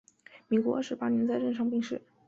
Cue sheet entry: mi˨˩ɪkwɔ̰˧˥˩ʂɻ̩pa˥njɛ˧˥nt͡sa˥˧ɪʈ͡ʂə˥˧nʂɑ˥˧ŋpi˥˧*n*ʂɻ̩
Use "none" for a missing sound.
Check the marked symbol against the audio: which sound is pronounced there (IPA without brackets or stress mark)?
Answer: ŋ